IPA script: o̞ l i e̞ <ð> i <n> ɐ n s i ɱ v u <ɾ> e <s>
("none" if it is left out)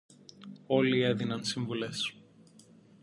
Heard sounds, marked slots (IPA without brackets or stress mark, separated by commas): ð, n, l, s